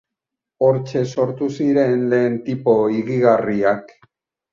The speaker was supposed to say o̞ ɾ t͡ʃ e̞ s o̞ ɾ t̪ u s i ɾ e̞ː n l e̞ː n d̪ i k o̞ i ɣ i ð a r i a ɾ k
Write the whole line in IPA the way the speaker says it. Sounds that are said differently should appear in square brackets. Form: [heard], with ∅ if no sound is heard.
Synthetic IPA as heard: o̞ ɾ t͡ʃ e̞ s o̞ ɾ t̪ u s i ɾ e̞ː n l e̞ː n [t̪] i [p] o̞ i ɣ i [ɣ] a r i a [∅] k